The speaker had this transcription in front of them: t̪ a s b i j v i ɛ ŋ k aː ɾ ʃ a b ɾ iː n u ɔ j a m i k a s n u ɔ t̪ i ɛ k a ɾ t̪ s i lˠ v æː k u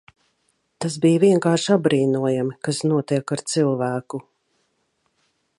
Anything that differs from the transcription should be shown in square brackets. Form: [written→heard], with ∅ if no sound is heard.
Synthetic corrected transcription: t̪ a s b i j v i ɛ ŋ k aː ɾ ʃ a b ɾ iː n u ɔ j a m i k a s n u ɔ t̪ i ɛ k a ɾ t̪ s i lˠ v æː k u